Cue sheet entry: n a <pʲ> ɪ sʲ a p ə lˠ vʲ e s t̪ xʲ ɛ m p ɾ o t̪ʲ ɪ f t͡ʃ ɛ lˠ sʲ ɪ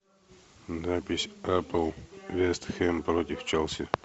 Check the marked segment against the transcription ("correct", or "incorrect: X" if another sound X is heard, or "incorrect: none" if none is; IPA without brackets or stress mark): correct